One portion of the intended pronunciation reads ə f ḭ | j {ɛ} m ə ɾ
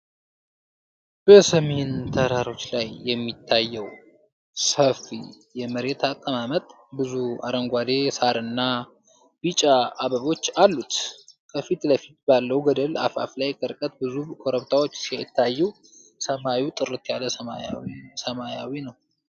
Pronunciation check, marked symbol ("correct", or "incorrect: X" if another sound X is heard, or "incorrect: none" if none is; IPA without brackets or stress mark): correct